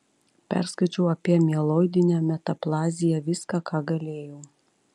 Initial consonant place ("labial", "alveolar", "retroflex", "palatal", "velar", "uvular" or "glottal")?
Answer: labial